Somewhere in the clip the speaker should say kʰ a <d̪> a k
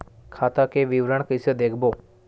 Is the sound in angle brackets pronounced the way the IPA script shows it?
no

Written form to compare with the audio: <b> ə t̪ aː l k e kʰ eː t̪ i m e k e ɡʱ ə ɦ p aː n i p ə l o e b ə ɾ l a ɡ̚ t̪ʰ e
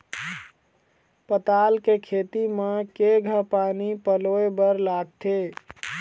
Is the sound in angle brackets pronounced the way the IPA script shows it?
no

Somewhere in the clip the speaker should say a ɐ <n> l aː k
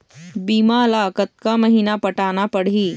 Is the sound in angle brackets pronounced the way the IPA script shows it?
no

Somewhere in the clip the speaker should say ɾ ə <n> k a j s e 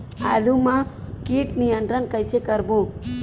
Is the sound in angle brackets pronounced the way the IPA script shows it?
yes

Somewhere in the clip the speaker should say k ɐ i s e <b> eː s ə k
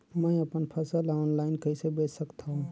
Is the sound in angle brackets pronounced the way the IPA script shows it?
yes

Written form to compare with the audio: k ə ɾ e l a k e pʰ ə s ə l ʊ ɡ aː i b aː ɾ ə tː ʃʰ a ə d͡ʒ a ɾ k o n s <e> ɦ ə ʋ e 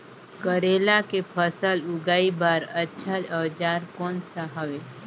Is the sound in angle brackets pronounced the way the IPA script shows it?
no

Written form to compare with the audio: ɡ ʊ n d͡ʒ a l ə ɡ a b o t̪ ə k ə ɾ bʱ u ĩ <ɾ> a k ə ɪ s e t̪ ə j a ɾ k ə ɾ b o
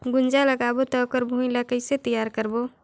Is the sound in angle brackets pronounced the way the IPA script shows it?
no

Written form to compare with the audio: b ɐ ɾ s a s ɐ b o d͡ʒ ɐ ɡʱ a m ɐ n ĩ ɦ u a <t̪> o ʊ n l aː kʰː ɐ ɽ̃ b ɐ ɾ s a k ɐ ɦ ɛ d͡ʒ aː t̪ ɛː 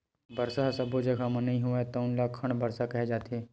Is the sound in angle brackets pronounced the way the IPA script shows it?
yes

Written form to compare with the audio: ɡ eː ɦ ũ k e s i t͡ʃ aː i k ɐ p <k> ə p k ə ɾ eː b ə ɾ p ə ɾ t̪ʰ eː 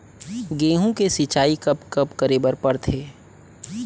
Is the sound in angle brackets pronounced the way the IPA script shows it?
yes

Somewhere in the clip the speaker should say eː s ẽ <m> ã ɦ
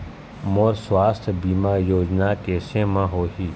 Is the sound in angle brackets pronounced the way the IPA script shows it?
yes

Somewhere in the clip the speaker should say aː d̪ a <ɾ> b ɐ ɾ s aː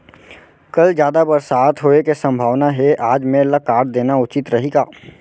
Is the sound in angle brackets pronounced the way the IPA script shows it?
no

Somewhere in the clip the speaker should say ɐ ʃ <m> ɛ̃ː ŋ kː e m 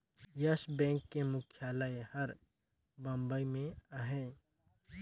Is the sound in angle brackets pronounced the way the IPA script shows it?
no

